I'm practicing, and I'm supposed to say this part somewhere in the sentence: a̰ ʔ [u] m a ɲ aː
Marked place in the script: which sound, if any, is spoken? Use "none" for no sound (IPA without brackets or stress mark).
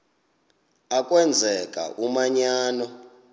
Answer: u